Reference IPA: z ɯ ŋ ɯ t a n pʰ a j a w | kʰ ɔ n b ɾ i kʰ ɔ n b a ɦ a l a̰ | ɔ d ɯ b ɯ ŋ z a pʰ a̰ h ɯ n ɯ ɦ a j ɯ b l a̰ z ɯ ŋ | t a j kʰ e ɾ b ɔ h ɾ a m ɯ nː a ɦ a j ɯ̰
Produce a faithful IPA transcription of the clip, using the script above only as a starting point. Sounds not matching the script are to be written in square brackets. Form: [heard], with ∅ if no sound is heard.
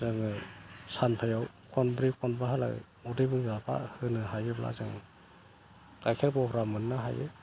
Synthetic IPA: z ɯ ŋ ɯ [s] a n pʰ a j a w | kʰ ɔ n b ɾ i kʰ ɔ n b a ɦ a l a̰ | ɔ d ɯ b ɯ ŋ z a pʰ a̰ h ɯ n ɯ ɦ a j ɯ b l a̰ z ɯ ŋ | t a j kʰ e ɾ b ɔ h ɾ a m ɯ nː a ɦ a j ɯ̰